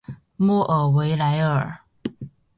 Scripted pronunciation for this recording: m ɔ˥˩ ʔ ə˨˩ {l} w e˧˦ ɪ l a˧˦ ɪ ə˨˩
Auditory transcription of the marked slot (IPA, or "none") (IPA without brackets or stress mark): none